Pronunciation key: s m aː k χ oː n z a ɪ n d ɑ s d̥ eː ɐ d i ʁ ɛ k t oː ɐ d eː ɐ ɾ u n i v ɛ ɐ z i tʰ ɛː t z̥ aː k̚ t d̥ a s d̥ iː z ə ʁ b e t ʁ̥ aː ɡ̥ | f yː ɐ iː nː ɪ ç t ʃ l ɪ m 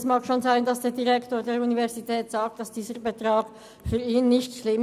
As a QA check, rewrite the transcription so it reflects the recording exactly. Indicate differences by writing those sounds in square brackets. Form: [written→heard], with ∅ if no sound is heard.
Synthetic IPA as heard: s m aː k [χ→ʃ] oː n z a ɪ n d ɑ s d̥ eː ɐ d i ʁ ɛ k t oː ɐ d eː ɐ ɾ u n i v ɛ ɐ z i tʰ ɛː t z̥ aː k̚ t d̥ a s d̥ iː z ə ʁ b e t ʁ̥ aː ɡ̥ | f yː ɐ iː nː ɪ ç t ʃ l ɪ m